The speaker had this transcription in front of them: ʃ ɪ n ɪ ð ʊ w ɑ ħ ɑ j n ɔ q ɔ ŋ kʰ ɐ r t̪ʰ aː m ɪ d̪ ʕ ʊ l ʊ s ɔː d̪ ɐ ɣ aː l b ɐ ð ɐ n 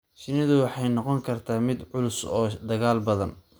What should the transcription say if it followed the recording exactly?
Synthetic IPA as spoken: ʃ ɪ n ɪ ð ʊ w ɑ ħ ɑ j n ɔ q ɔ ŋ kʰ ɐ r t̪ʰ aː m ɪ d̪ ʕ ʊ l ʊ s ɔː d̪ ɐ ɣ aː l b ɐ ð ɐ n